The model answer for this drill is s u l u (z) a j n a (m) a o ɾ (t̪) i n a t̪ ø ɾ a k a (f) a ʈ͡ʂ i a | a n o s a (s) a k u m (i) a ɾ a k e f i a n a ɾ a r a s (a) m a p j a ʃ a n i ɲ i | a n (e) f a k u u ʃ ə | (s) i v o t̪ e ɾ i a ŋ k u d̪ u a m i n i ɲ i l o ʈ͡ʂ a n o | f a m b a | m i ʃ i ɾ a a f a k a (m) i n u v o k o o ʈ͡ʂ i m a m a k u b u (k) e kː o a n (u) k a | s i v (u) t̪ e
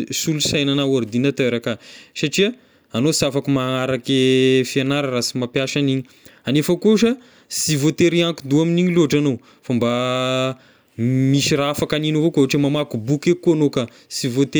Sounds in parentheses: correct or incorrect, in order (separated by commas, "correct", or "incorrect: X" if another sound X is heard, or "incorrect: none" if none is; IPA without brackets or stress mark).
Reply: incorrect: s, incorrect: n, incorrect: d̪, incorrect: s, incorrect: f, incorrect: a, incorrect: i, correct, correct, incorrect: n, correct, incorrect: o, incorrect: o